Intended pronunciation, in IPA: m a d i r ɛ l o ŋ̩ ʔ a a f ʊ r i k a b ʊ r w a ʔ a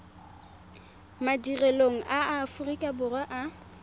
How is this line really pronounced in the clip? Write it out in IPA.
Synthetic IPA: m a d i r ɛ l o ŋ̩ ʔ a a f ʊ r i kʼ a b ʊ r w a ʔ a